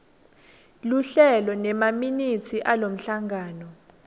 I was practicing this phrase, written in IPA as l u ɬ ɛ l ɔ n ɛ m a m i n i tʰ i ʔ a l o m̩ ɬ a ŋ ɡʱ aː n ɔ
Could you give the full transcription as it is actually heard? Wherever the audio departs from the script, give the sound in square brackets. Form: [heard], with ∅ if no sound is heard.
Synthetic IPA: l u ɬ ɛ l ɔ n ɛ m a m i n i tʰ i ʔ a l o m̩ ɬ a ŋ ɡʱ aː n ɔ

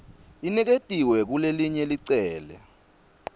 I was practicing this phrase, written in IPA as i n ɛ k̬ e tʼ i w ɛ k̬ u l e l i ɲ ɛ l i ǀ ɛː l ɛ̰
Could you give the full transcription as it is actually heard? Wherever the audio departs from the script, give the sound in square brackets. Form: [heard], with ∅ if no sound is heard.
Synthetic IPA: i n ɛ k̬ e tʼ i w ɛ k̬ u l e l i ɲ ɛ l i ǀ ɛː l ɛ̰

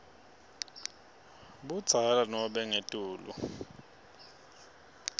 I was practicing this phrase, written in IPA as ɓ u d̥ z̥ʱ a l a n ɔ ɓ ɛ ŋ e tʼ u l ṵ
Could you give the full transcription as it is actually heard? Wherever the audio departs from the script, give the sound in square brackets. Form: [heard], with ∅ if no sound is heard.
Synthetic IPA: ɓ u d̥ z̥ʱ a l a n ɔ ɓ ɛ ŋ e tʼ [uː] l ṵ

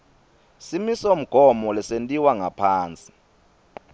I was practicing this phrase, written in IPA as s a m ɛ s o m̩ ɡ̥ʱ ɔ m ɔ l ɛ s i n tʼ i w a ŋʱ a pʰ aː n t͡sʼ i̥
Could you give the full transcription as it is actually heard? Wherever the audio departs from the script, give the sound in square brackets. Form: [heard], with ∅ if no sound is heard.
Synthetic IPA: s [i] m [i] s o m̩ ɡ̥ʱ ɔ m ɔ l ɛ s [e] n tʼ i w a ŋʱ a pʰ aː n t͡sʼ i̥

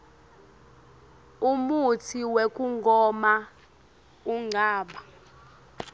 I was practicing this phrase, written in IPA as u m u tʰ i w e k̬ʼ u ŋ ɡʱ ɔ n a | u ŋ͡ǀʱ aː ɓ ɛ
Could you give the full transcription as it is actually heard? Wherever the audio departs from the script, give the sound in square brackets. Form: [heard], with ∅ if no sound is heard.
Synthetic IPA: u m u tʰ i w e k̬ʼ u ŋ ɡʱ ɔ [m] a | u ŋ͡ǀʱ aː ɓ [a]

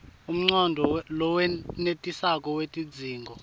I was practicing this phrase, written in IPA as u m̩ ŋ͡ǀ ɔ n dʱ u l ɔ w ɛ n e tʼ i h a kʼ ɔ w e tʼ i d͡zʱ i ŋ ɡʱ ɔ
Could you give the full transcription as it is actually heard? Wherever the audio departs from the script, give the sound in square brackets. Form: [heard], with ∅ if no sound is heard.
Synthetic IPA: u m̩ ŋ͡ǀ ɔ n dʱ [ɔ] l ɔ w ɛ n e tʼ i [s] a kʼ ɔ w e tʼ i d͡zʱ [iː] ŋ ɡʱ ɔ

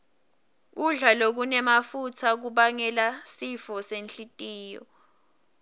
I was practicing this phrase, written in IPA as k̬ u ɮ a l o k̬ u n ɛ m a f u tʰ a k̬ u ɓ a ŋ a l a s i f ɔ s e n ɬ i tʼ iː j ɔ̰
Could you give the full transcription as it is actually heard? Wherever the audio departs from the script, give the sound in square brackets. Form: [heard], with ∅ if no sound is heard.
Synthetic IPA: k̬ u ɮ a l o k̬ u n ɛ m a f u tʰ a k̬ u ɓ a ŋ [ɛ] l a s i f ɔ s e n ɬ i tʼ iː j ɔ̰

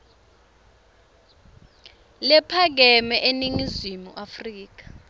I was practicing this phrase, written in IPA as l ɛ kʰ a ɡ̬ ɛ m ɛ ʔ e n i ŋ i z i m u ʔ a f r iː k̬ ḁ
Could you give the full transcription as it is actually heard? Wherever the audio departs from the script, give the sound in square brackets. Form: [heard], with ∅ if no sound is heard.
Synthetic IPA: l ɛ [pʰ] a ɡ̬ ɛ m ɛ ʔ e n i ŋ i z i m u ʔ a f r iː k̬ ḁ

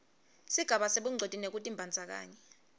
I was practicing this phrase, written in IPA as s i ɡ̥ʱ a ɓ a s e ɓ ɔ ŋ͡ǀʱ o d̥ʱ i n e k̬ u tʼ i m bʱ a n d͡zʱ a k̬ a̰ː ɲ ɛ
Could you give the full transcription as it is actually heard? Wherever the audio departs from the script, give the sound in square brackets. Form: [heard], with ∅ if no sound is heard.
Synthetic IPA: s i ɡ̥ʱ a ɓ a s e ɓ [u] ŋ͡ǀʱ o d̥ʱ i n e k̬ u tʼ i m bʱ a n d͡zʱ a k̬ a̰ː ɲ ɛ

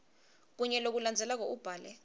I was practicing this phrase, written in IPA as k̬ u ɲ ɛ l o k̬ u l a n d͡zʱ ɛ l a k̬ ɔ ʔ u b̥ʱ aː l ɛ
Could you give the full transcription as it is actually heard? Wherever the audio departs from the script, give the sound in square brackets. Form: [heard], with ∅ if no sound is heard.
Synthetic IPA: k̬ u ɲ ɛ l o k̬ u l a n d͡zʱ ɛ l a k̬ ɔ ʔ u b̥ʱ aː l ɛ

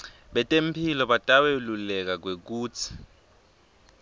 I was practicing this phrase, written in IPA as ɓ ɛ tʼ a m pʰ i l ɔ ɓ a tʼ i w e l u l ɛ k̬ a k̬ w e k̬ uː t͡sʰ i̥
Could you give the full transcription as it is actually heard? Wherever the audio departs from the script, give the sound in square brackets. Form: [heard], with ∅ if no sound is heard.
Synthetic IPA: ɓ ɛ tʼ [e] m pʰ i l ɔ ɓ a tʼ [a] w e l u l ɛ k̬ a k̬ w e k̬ uː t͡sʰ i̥

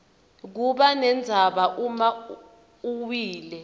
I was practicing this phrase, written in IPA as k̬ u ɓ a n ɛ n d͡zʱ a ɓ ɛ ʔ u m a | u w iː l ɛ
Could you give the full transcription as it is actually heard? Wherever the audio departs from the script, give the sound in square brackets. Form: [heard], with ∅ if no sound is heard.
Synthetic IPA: k̬ u ɓ a n ɛ n d͡zʱ a ɓ [a] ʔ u m a | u w iː l ɛ

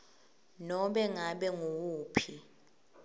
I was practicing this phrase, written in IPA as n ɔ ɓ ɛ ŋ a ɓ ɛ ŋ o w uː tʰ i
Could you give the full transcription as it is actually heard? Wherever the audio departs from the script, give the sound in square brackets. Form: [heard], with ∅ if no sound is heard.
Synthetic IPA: n ɔ ɓ ɛ ŋ a ɓ ɛ ŋ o w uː [pʰ] i

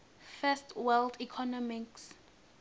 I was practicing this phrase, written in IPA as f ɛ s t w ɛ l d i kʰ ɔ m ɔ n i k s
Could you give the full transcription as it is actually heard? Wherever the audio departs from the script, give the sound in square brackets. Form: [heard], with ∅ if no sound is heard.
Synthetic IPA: f ɛ s t w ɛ l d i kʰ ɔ [n] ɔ [m] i k s

